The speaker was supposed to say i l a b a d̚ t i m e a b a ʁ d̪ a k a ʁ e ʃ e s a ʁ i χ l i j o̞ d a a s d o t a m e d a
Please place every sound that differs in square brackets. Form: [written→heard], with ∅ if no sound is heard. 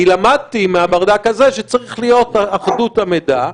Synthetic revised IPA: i l a [b→m] a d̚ t i m e a b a ʁ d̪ a k a [ʁ→z] e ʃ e [s→t͡s] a ʁ i χ l i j o̞ [d→t] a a [s→χ] d [o→u] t a m e d a